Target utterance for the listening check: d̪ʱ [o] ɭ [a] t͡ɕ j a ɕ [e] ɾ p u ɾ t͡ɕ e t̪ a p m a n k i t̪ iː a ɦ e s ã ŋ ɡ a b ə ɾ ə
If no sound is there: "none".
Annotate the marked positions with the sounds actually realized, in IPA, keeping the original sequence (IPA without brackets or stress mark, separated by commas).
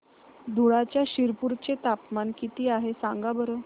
u, a, i